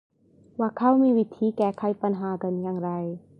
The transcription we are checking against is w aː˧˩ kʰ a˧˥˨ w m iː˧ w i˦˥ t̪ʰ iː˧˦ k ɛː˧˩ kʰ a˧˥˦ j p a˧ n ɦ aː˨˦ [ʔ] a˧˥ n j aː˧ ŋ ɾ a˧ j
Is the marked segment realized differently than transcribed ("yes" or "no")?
yes